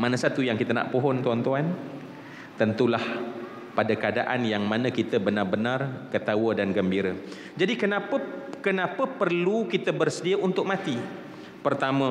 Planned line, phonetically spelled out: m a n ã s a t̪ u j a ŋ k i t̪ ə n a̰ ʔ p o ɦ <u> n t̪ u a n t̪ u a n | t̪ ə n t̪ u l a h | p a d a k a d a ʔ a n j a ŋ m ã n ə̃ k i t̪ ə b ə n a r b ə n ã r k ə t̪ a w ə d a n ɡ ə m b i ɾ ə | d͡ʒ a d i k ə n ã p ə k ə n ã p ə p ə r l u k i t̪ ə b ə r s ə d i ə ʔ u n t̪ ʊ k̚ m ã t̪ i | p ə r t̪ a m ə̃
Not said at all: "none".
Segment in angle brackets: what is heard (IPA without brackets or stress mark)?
ɔ